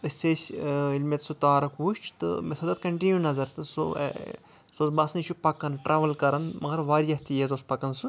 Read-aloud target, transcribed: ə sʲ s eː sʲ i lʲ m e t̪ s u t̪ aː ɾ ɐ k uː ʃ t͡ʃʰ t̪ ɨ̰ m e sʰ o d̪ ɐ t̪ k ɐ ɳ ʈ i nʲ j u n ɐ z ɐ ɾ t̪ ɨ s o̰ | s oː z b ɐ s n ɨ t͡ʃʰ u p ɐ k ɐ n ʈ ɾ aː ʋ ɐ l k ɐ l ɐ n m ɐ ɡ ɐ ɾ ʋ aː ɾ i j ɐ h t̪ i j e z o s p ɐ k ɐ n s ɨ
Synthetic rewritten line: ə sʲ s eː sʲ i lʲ m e t̪ s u t̪ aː ɾ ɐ k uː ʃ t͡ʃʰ t̪ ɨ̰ m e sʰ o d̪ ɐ t̪ k ɐ ɳ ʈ i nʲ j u n ɐ z ɐ ɾ t̪ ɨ s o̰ | s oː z b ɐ s n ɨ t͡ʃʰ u p ɐ k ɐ n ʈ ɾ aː ʋ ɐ l k ɐ ɾ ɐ n m ɐ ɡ ɐ ɾ ʋ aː ɾ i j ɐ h t̪ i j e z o s p ɐ k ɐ n s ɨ